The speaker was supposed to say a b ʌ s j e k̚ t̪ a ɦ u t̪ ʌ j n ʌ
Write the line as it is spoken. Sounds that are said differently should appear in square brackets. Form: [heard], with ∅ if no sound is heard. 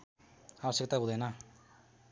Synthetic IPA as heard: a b ʌ s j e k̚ t̪ a ɦ u [d̪] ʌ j n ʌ